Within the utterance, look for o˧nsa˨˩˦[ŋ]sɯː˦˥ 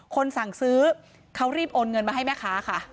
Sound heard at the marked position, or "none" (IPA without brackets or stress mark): ŋ